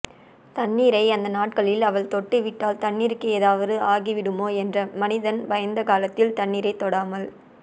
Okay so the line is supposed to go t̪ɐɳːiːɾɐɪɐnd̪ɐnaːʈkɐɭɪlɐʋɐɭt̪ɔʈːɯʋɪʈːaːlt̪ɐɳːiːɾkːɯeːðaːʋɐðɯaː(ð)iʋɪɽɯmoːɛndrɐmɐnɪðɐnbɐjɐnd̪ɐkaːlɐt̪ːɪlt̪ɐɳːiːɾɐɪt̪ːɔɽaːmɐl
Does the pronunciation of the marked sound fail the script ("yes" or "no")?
yes